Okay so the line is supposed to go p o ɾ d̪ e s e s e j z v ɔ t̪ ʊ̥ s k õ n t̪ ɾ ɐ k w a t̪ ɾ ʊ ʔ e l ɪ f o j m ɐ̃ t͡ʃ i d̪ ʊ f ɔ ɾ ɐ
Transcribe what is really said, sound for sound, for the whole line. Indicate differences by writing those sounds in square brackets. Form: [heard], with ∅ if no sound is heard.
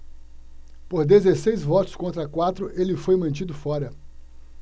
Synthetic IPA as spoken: p o ɾ d̪ e [z] e s e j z v ɔ t̪ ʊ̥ s k õ n t̪ ɾ ɐ k w a t̪ ɾ ʊ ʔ e l ɪ f o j m ɐ̃ t͡ʃ i d̪ ʊ f ɔ ɾ ɐ

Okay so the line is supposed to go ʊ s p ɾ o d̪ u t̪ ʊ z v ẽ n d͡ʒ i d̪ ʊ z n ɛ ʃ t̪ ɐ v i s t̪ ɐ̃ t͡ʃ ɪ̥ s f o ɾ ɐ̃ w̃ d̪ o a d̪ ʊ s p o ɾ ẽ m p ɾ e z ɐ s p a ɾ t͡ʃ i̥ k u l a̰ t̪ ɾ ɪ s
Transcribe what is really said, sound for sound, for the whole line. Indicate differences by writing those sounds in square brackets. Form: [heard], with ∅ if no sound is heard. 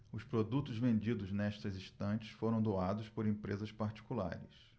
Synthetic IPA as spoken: ʊ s p ɾ o d̪ u t̪ ʊ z v ẽ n d͡ʒ i d̪ ʊ z n ɛ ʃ t̪ ɐ [z] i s t̪ ɐ̃ t͡ʃ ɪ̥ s f o ɾ ɐ̃ w̃ d̪ o a d̪ ʊ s p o ɾ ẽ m p ɾ e z ɐ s p a ɾ t͡ʃ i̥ k u l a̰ [∅] ɾ ɪ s

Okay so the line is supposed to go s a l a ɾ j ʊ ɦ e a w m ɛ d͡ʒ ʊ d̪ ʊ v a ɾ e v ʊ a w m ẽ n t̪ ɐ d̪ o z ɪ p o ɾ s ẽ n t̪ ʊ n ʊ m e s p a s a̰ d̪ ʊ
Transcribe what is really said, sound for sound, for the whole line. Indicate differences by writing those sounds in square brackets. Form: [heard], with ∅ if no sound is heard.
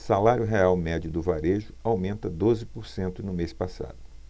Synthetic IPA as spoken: s a l a ɾ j ʊ ɦ e a w m ɛ d͡ʒ ʊ d̪ ʊ v a ɾ e [ʒ] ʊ a w m ẽ n t̪ ɐ d̪ o z ɪ p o ɾ s ẽ n t̪ ʊ n ʊ m e s p a s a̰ d̪ ʊ

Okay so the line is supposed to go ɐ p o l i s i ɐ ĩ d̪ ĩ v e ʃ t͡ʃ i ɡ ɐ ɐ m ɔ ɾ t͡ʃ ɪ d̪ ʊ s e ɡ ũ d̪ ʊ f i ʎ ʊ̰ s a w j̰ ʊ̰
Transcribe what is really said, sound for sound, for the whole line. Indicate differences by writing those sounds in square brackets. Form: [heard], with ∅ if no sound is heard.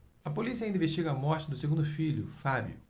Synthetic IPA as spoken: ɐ p o l i s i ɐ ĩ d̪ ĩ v e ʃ t͡ʃ i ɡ ɐ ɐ m ɔ ɾ t͡ʃ ɪ d̪ ʊ s e ɡ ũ d̪ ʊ f i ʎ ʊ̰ [f] a [b] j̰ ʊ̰

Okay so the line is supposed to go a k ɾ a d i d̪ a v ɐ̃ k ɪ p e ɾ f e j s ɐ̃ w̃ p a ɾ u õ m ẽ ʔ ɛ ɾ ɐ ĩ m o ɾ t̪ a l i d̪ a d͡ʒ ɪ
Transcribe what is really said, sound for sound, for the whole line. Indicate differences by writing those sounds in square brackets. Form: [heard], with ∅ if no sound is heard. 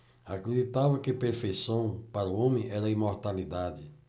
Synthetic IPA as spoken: a k ɾ [e] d i [t̪] a v [ɐ] k ɪ p e ɾ f e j s ɐ̃ w̃ p a ɾ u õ m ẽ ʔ ɛ ɾ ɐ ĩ m o ɾ t̪ a l i d̪ a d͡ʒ ɪ

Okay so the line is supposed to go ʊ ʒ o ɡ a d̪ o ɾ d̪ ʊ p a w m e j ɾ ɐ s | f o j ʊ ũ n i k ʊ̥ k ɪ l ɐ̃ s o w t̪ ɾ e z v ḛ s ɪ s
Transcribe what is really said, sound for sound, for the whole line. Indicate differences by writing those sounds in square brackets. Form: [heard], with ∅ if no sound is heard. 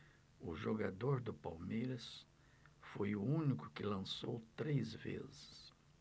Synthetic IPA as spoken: ʊ ʒ o ɡ a d̪ o ɾ d̪ ʊ p a w m e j ɾ ɐ s | f o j ʊ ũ n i k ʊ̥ k ɪ l ɐ̃ s o w t̪ ɾ e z v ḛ [z] ɪ s

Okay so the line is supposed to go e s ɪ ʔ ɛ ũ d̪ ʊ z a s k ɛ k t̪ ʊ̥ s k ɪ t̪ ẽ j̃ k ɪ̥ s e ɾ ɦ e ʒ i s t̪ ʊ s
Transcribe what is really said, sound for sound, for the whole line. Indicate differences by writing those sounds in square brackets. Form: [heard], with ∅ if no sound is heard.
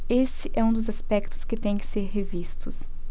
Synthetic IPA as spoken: e s ɪ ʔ ɛ ũ d̪ ʊ z a s [p] ɛ k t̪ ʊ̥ s k ɪ t̪ ẽ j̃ k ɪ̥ s e ɾ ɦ e [v] i s t̪ ʊ s

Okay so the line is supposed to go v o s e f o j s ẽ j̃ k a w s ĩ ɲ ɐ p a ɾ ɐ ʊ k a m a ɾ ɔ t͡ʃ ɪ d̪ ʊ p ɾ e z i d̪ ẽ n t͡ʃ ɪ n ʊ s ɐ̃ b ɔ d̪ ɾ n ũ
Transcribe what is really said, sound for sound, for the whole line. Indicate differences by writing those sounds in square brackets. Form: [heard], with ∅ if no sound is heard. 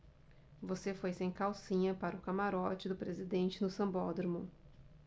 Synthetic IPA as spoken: v o s e f o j s ẽ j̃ k a w s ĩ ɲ ɐ p a ɾ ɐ ʊ k a m a ɾ ɔ t͡ʃ ɪ d̪ ʊ p ɾ e z i d̪ ẽ n t͡ʃ ɪ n ʊ s ɐ̃ b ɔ d̪ ɾ [m] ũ

